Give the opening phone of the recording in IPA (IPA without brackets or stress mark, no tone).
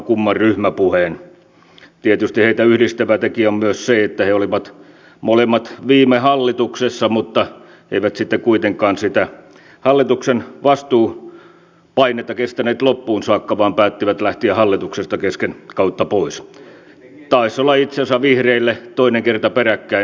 k